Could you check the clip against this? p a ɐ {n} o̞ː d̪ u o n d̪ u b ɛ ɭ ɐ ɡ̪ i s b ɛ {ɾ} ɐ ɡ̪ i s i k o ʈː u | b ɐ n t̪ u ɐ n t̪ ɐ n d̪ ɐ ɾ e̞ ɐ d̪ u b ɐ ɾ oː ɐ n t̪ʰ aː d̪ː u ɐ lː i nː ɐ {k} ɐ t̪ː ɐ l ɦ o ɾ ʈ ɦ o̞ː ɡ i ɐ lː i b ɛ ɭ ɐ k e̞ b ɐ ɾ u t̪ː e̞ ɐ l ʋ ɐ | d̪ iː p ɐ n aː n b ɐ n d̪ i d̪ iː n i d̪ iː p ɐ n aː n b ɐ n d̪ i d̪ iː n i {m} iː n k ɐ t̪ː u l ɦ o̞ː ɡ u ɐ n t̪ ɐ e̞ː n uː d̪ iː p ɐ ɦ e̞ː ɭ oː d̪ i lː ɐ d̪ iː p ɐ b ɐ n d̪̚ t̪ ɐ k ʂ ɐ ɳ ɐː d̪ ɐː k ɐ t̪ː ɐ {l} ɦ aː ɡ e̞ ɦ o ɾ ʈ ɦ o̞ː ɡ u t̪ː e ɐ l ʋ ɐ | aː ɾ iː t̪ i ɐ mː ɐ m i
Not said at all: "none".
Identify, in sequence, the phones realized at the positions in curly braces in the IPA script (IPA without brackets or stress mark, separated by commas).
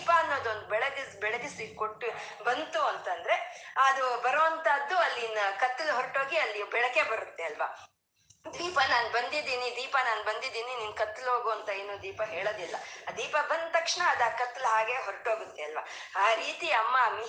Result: nː, ɭ, k, n, l